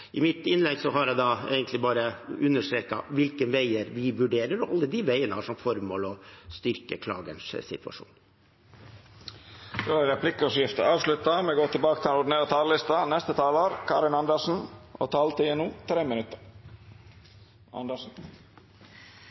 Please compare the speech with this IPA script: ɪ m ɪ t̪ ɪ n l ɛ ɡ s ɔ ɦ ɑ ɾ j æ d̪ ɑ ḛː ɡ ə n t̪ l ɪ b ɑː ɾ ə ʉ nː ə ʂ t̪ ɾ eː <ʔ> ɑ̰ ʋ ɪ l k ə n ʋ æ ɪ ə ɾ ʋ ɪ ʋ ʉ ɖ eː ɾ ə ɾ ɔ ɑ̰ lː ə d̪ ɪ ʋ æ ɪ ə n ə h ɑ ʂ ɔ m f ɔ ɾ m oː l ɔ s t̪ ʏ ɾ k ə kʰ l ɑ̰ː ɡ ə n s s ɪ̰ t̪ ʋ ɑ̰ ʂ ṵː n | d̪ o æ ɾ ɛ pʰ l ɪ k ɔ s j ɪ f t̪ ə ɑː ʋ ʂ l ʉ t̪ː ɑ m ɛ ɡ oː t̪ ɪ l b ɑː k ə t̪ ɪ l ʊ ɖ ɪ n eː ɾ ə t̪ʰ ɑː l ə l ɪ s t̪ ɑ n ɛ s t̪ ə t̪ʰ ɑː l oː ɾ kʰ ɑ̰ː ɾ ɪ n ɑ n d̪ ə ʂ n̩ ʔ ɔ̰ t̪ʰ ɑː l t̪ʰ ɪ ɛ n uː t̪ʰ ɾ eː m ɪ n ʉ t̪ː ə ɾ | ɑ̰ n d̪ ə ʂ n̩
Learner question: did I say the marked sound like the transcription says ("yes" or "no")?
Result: no